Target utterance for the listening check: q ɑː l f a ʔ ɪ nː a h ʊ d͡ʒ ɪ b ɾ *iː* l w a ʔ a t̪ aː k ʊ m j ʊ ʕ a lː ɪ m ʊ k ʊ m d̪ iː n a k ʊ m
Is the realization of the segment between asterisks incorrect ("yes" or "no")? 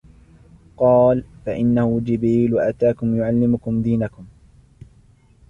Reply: no